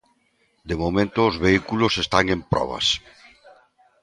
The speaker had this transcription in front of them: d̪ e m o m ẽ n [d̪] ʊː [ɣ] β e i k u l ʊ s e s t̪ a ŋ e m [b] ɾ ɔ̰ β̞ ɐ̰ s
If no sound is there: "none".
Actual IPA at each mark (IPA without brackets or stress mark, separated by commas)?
t̪, z, p